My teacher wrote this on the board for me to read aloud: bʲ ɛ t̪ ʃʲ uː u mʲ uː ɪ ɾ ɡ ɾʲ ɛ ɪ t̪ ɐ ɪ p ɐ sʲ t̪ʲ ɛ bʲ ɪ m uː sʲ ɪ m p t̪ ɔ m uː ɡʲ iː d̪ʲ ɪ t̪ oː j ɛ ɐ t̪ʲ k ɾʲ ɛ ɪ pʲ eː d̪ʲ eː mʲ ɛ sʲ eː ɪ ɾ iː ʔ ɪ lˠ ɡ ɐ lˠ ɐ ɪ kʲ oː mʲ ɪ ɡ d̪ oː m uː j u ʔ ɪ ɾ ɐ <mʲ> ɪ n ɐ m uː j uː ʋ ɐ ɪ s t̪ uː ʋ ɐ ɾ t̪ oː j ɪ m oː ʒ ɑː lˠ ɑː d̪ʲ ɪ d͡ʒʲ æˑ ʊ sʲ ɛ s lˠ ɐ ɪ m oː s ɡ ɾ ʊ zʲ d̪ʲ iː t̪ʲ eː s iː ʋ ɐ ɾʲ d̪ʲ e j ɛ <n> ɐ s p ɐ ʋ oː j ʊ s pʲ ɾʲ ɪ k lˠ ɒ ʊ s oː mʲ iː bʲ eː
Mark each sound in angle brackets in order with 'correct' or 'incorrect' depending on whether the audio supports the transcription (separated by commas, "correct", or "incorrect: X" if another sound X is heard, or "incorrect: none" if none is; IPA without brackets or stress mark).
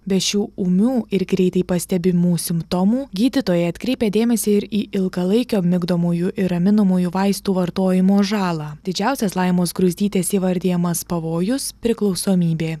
correct, incorrect: m